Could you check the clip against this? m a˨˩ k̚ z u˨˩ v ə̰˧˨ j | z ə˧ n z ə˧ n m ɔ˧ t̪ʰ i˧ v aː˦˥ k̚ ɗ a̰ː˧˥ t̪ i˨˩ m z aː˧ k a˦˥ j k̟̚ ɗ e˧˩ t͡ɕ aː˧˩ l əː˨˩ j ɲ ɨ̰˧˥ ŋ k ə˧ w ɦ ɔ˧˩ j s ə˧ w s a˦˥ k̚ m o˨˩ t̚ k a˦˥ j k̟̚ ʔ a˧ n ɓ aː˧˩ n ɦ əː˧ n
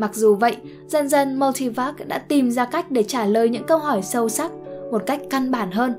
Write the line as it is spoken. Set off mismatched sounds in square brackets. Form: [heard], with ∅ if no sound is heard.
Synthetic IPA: m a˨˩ k̚ z u˨˩ v ə̰˧˨ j | z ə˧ n z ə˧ n m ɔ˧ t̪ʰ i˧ v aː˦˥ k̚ ɗ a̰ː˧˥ t̪ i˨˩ m z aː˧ k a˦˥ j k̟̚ ɗ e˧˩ t͡ɕ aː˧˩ l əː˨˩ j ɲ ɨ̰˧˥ ŋ k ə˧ w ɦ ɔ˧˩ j s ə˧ w s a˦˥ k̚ m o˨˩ t̚ k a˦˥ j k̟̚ [k] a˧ n ɓ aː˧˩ n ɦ əː˧ n